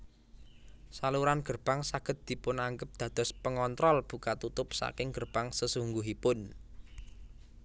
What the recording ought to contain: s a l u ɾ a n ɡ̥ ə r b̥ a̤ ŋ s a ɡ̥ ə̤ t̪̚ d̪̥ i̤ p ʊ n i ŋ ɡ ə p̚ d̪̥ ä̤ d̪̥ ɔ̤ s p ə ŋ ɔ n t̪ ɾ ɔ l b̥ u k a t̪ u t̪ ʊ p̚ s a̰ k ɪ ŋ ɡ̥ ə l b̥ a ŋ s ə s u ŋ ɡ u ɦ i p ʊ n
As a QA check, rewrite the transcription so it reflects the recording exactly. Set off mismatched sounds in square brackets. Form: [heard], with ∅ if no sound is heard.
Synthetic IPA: s a l u ɾ a n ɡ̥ ə r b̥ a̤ ŋ s a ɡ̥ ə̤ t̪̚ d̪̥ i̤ p ʊ n [a] ŋ ɡ ə p̚ d̪̥ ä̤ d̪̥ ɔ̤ s p ə ŋ ɔ n t̪ ɾ ɔ l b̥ u k a t̪ u t̪ ʊ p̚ s a̰ k ɪ ŋ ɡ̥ ə [r] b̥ a ŋ s ə s u ŋ ɡ u ɦ i p ʊ n